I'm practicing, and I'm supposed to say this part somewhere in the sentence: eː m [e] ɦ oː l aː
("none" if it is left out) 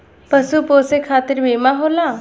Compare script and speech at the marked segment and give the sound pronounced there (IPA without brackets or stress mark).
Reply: a